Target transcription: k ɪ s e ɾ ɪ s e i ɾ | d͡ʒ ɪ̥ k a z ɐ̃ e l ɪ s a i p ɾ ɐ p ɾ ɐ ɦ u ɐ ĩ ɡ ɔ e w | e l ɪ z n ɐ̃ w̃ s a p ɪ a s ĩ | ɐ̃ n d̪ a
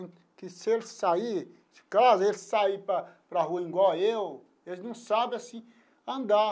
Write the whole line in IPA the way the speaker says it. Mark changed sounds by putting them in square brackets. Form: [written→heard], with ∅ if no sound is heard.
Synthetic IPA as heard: k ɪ s e [ɾ→l] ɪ s [e→a] i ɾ | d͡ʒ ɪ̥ k a z [ɐ̃→ɐ] e l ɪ s a i p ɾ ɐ p ɾ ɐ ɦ u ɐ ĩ ɡ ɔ e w | e l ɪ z n ɐ̃ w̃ s a [p→b] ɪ a s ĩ | ɐ̃ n d̪ a